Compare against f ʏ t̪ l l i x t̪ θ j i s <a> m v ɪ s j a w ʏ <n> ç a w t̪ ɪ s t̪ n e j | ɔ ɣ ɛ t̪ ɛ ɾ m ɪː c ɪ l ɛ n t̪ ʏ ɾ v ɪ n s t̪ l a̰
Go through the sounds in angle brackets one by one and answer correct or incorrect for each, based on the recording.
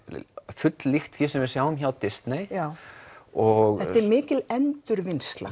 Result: incorrect: ɛ, incorrect: m

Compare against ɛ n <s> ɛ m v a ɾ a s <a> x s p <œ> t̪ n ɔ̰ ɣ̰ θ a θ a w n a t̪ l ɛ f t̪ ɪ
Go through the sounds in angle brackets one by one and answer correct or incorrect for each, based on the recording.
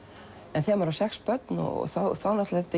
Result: incorrect: θ, incorrect: ɛ, correct

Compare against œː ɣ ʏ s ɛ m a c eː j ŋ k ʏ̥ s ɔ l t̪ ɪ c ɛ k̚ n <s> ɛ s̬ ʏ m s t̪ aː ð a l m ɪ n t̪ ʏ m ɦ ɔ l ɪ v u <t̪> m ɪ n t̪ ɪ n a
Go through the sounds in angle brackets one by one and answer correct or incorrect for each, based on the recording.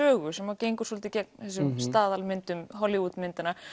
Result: incorrect: θ, correct

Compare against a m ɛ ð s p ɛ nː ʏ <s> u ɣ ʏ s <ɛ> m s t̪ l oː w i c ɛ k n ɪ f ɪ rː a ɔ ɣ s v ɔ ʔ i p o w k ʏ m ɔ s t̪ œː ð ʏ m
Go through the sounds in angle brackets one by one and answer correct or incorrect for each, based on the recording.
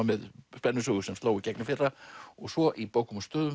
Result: correct, correct

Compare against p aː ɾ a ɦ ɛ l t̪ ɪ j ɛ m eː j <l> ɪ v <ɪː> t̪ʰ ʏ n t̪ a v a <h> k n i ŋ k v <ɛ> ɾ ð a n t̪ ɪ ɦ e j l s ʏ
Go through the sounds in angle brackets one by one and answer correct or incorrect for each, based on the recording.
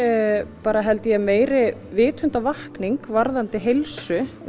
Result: incorrect: ɾ, correct, correct, incorrect: a

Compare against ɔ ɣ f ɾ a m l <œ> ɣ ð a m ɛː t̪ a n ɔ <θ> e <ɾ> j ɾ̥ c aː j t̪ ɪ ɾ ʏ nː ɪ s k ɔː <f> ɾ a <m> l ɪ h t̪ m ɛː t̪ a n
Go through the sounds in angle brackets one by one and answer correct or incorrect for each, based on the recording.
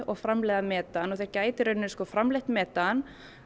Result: incorrect: ɛ, correct, incorrect: none, correct, correct

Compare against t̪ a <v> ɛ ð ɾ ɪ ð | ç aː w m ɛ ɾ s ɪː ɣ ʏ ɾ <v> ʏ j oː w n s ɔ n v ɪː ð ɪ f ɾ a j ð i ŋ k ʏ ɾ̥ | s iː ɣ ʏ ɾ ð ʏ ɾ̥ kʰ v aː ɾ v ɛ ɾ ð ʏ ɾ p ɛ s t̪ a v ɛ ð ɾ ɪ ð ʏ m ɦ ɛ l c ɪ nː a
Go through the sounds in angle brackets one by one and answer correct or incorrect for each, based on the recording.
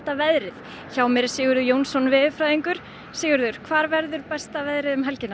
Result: correct, incorrect: ð

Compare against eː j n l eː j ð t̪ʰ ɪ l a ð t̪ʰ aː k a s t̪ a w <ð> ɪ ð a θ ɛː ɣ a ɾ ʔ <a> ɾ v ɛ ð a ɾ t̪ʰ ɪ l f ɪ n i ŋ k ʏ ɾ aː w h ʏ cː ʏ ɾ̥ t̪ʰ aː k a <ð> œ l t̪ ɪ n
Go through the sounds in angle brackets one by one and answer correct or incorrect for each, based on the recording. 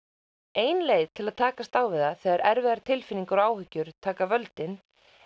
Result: incorrect: v, incorrect: ɛ, incorrect: v

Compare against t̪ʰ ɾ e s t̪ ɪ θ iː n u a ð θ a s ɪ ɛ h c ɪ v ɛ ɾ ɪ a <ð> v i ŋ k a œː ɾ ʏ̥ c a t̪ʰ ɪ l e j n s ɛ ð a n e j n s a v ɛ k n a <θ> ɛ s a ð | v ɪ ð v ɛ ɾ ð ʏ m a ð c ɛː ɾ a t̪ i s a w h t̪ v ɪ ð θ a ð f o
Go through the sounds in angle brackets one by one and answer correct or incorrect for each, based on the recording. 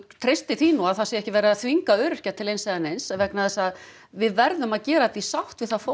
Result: incorrect: θ, incorrect: ð

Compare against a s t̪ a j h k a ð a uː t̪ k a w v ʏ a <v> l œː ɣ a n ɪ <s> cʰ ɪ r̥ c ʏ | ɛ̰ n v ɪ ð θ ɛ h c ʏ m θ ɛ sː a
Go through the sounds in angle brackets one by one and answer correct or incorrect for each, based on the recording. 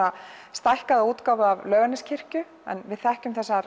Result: correct, correct

